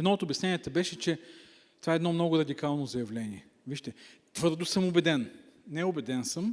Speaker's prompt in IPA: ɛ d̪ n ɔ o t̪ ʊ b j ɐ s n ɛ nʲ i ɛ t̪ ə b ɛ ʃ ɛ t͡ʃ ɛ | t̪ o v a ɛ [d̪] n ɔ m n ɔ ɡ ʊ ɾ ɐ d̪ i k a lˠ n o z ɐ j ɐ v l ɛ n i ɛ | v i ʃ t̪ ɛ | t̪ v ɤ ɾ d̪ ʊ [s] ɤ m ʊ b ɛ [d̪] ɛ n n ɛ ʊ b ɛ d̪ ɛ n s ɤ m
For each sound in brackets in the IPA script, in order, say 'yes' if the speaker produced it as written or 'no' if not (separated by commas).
yes, yes, yes